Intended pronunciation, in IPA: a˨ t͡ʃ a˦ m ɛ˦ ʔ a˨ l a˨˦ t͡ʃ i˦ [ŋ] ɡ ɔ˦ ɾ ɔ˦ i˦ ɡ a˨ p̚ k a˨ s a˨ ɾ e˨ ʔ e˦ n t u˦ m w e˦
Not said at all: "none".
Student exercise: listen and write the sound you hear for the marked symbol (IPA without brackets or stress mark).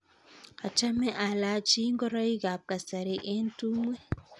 ŋ